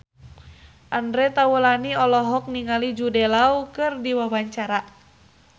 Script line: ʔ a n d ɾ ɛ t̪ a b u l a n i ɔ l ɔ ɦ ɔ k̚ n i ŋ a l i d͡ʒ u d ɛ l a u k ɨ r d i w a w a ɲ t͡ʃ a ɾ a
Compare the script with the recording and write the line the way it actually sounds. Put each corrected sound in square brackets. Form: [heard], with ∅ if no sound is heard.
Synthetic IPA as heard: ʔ a n d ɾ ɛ t̪ a [w] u l a n i ɔ l ɔ ɦ ɔ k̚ n i ŋ a l i d͡ʒ u d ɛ l a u k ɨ r d i w a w a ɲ t͡ʃ a ɾ a